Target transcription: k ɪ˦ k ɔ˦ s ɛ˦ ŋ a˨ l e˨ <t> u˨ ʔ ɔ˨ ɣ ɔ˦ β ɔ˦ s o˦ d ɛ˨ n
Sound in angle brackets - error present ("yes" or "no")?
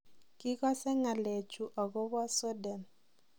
yes